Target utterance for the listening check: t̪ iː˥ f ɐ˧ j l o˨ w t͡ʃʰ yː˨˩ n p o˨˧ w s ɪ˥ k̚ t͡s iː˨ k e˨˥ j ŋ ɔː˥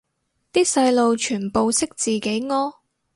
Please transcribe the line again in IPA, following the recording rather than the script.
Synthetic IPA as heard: t̪ iː˥ s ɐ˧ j l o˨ w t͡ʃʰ yː˨˩ n p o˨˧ w s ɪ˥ k̚ t͡s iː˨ k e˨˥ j ŋ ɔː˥